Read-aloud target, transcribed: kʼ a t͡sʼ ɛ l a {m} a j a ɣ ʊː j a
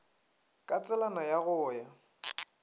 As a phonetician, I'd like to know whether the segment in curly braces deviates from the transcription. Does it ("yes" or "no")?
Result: yes